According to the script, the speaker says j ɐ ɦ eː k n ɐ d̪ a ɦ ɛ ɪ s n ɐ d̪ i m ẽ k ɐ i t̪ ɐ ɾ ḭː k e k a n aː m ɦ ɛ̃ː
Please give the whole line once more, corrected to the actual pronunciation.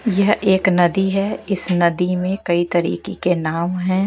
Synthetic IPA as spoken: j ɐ ɦ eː k n ɐ d̪ i ɦ ɛ ɪ s n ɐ d̪ i m ẽ k ɐ i t̪ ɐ ɾ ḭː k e k e n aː m ɦ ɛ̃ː

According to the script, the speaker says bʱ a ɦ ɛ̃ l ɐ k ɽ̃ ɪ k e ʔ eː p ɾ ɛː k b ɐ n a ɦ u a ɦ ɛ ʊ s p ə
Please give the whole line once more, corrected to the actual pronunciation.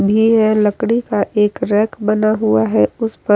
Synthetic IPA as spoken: bʱ i ɦ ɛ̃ l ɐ k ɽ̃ i k a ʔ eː k ɾ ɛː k b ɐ n a ɦ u a ɦ ɛ ʊ s p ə

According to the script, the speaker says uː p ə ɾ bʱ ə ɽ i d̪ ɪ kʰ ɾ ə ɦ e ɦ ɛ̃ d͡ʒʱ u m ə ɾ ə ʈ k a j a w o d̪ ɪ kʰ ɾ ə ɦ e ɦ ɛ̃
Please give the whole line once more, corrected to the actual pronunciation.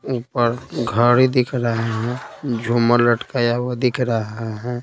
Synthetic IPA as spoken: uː p ə ɾ ɡʱ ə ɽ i d̪ ɪ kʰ ɾ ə ɦ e ɦ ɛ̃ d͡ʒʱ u m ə l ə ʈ k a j a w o d̪ ɪ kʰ ɾ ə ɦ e ɦ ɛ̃

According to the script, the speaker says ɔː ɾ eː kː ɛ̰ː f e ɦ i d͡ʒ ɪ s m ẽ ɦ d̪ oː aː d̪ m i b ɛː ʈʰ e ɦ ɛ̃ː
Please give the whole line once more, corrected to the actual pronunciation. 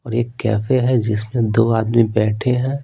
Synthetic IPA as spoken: ɔː ɾ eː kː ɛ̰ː f e ɦ ɛ d͡ʒ ɪ s m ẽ d̪ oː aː d̪ m i b ɛː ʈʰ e ɦ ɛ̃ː

